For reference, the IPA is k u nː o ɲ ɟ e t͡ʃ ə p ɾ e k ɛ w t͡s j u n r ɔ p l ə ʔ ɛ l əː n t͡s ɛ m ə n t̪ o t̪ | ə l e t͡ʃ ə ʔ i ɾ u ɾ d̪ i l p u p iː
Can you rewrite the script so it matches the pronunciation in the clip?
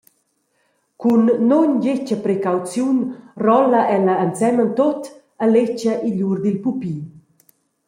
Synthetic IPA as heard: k u nː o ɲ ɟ e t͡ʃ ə p ɾ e k a w t͡s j u n r ɔ l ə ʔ ɛ l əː n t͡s ɛ m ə n t̪ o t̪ | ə l e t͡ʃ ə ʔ i ʎ u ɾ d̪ i l p u p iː